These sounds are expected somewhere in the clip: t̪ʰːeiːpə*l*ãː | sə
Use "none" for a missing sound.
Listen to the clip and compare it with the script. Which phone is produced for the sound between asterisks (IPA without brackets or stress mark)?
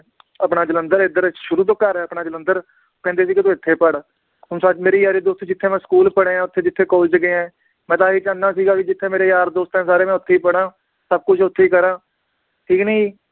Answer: ɽ